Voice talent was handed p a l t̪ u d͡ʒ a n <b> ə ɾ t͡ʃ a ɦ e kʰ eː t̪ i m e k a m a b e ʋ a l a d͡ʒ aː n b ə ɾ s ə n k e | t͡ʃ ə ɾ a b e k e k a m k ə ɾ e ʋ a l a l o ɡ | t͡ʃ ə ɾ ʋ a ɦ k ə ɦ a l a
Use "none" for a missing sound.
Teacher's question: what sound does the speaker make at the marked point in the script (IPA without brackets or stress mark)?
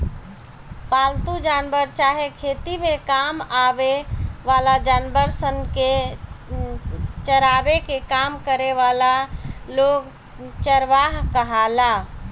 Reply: b